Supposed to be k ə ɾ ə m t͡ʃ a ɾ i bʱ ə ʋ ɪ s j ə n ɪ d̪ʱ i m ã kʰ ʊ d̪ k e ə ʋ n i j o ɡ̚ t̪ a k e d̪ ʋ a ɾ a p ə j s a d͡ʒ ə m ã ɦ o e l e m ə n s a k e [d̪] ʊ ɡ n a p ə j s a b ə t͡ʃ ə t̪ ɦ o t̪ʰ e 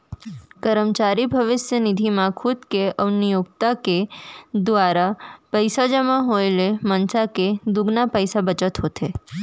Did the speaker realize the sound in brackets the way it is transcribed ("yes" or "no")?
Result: yes